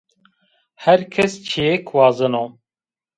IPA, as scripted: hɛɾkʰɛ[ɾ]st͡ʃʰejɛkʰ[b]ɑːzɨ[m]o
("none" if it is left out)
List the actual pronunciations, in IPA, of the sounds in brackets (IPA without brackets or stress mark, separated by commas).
none, w, n